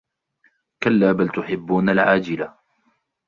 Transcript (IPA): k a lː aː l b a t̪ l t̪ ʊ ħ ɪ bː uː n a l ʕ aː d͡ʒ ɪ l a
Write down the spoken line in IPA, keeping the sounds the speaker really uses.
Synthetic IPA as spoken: k a lː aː b a l t̪ ʊ ħ ɪ bː uː n a l ʕ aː d͡ʒ ɪ l a

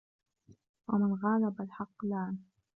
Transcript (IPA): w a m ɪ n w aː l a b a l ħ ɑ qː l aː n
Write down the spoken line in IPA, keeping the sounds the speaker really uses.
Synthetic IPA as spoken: w a m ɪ n ɣ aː l a b a l ħ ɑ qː l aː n

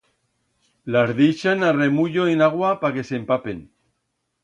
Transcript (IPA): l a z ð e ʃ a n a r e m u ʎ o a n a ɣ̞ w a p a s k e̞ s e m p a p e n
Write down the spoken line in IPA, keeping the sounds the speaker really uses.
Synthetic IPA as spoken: l a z ð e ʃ a n a r e m u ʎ o e n a ɣ̞ w a p a k e̞ s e m p a p e n

